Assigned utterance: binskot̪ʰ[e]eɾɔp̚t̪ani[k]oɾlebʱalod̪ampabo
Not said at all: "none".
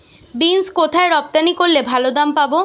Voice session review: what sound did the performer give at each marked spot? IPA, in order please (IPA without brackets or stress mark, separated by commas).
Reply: a, k